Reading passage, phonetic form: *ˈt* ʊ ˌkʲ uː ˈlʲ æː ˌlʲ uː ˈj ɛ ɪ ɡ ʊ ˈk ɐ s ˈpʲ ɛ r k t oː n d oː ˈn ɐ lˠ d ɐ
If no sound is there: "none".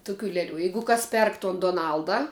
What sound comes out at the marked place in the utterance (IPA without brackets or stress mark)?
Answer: t